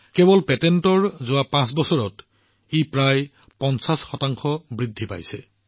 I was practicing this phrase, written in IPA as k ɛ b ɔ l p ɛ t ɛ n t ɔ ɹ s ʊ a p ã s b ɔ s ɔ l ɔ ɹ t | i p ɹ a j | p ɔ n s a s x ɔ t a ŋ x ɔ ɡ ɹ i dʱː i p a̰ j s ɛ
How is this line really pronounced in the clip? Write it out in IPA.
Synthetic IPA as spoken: k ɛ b ɔ l p ɛ t ɛ n t ɔ ɹ z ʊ a p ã s b ɔ s ɔ ɹ ɔ t | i p ɹ a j | p ɔ n s a s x ɔ t a ŋ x ɔ b ɹ i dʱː i p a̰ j s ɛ